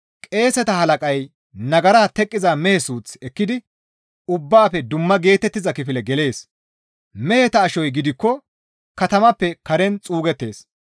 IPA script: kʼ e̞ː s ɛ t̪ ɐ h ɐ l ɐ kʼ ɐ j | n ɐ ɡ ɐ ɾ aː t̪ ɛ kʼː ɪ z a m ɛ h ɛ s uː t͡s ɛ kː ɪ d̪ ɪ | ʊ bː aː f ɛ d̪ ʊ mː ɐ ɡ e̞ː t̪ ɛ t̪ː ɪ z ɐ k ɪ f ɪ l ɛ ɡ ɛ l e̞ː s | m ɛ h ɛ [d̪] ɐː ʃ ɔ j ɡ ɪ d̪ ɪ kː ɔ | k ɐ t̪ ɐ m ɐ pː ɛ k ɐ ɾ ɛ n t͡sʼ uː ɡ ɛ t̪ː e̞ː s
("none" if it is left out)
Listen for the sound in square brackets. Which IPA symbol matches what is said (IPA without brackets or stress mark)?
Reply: t̪